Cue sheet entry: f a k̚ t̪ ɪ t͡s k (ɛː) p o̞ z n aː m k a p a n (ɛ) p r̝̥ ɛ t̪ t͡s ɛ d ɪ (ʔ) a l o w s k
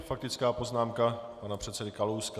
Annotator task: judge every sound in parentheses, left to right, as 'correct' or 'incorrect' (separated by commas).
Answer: incorrect, incorrect, incorrect